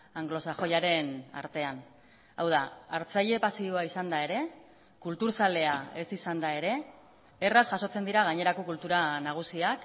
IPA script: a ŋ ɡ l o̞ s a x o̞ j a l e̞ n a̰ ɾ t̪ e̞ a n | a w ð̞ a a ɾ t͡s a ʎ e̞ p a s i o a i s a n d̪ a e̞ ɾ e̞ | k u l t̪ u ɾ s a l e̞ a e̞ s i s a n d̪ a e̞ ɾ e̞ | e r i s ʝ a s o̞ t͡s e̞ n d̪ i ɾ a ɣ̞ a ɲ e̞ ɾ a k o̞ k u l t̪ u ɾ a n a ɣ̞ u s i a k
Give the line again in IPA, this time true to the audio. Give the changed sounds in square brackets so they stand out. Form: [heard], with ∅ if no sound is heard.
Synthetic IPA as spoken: a ŋ ɡ l o̞ s a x o̞ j a [ɾ] e̞ n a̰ ɾ t̪ e̞ a n | a w ð̞ a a ɾ t͡s a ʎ e̞ p a s i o a i s a n d̪ a e̞ ɾ e̞ | k u l t̪ u ɾ s a l e̞ a e̞ s i s a n d̪ a e̞ ɾ e̞ | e r [a] s ʝ a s o̞ t͡s e̞ n d̪ i ɾ a ɣ̞ a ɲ e̞ ɾ a k o̞ k u l t̪ u ɾ a n a ɣ̞ u s i a k